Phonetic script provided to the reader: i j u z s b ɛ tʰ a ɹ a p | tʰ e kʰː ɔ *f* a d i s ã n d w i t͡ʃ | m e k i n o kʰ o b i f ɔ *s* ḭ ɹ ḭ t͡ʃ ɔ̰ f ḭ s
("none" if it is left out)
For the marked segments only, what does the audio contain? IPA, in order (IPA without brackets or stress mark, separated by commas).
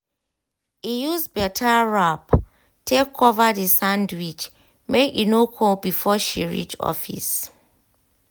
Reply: v, ʃ